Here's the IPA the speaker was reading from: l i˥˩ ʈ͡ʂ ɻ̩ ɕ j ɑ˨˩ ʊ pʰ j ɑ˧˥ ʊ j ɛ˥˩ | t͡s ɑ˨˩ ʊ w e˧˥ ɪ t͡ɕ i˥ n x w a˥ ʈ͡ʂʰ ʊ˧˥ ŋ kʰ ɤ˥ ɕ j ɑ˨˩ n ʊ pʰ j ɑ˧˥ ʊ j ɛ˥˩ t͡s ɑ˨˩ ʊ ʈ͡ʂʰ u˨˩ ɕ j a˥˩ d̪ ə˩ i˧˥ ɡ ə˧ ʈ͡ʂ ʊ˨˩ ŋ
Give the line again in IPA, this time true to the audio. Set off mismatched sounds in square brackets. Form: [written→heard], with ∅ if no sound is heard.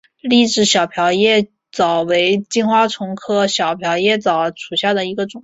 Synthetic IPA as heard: l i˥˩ ʈ͡ʂ ɻ̩ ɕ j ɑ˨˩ ʊ pʰ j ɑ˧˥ ʊ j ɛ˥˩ | t͡s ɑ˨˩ ʊ w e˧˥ ɪ t͡ɕ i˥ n x w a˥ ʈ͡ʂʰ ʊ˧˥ ŋ kʰ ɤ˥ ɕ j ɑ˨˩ [n→∅] ʊ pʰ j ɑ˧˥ ʊ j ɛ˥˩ t͡s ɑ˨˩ ʊ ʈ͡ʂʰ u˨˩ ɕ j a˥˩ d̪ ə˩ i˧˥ ɡ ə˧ ʈ͡ʂ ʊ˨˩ ŋ